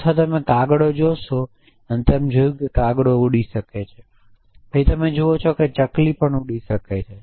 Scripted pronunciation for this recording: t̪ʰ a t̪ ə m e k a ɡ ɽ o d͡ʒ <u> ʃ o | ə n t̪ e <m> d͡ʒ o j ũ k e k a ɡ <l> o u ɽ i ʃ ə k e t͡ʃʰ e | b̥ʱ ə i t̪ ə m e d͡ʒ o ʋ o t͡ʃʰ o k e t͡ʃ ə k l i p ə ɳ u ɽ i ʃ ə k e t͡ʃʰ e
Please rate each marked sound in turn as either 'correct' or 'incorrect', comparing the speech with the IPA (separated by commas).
incorrect, correct, incorrect